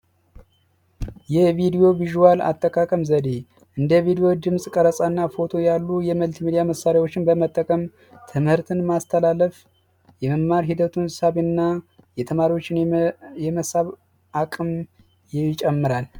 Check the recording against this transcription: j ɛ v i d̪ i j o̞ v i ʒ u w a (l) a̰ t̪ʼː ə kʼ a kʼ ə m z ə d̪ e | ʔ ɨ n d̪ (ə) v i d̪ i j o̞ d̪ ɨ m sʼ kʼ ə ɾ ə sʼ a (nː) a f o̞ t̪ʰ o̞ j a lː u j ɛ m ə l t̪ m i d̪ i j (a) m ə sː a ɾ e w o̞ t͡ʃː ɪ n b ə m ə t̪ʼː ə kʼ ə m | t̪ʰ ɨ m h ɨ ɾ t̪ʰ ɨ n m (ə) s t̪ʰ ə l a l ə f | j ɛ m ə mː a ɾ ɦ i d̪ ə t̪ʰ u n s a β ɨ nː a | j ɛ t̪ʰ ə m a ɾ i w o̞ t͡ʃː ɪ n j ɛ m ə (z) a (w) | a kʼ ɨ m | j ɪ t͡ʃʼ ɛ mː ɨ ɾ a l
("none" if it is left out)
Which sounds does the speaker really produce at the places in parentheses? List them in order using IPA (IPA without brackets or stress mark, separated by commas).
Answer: l, ə, nː, a, a, s, β